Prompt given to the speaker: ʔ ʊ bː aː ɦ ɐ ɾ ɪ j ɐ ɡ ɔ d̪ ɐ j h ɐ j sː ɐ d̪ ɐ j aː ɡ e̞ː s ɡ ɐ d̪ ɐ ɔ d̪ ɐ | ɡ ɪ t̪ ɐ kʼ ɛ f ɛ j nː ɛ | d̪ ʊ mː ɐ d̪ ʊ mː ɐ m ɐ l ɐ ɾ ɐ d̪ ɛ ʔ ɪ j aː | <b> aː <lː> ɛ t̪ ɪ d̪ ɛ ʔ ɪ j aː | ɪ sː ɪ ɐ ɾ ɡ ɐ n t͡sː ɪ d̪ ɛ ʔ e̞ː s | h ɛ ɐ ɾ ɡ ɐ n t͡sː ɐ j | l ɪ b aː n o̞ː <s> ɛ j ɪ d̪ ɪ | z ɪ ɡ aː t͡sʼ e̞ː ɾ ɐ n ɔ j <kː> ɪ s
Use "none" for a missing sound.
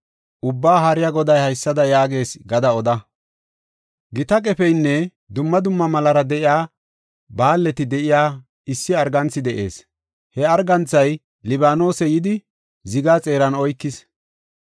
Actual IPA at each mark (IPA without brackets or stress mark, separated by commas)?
b, lː, s, kː